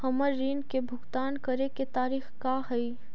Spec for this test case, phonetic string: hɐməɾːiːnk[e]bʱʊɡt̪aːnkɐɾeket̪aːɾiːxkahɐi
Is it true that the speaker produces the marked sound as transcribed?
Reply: yes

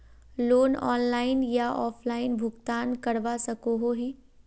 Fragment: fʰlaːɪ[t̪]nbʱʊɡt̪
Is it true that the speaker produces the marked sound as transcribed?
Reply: no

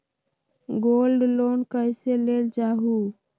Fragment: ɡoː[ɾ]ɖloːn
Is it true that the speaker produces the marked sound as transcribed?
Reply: no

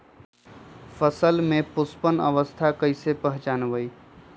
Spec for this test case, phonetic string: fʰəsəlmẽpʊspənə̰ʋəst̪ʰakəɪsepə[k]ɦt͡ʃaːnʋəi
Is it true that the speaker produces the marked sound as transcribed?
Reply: no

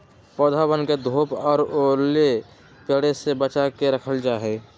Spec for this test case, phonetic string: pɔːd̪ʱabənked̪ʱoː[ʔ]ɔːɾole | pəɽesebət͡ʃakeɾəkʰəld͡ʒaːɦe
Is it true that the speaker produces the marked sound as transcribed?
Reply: no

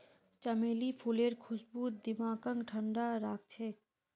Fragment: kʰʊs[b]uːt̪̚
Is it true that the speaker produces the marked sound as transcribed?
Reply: yes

